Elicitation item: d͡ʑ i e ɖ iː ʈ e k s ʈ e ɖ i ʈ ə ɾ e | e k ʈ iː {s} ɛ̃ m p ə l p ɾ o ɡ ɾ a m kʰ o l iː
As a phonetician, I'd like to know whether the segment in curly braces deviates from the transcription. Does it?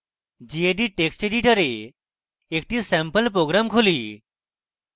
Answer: no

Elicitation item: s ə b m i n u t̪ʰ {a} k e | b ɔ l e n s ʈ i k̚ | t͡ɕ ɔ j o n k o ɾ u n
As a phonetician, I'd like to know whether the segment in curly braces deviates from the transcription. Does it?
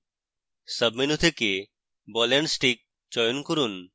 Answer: yes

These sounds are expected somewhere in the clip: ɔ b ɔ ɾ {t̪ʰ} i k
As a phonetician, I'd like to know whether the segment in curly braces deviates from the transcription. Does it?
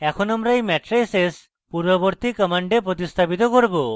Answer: yes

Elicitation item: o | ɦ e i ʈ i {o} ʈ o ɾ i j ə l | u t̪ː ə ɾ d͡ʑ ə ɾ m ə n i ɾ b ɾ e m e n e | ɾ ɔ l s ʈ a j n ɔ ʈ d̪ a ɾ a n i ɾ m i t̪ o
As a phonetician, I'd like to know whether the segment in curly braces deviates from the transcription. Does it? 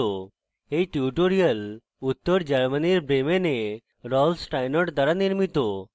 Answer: yes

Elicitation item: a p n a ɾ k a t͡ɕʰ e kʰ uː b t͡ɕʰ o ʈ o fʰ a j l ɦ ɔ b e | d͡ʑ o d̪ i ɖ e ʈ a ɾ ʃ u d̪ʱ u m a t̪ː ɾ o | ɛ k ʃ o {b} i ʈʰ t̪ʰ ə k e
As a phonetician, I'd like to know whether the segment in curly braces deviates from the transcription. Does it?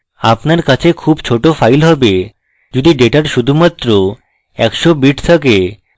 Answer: no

